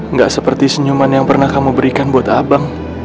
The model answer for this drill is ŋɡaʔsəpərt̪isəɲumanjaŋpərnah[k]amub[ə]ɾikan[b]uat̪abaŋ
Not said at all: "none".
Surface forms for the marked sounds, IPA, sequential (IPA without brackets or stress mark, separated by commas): k, ə, b